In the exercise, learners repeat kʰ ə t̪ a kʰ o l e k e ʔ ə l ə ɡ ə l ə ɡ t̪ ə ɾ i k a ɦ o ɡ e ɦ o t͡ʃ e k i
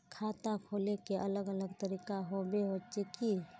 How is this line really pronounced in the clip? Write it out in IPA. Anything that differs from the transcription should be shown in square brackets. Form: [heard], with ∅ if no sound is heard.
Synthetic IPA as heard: kʰ [a] t̪ a kʰ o l e k e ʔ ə l ə ɡ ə l ə ɡ t̪ ə ɾ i k a ɦ o [b] e ɦ o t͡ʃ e k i